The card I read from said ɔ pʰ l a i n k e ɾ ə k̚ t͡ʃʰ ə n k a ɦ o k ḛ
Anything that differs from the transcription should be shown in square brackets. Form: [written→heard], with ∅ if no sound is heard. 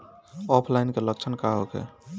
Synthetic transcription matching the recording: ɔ pʰ l a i n k e [ɾ→l] ə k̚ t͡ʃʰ ə n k a ɦ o k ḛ